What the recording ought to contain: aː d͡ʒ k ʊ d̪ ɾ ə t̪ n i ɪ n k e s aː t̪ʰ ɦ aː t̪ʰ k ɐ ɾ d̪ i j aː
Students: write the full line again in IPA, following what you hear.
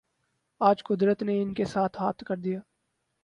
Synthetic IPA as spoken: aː d͡ʒ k ʊ d̪ ɾ ə t̪ n e ɪ n k e s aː t̪ʰ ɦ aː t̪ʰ k ɐ ɾ d̪ i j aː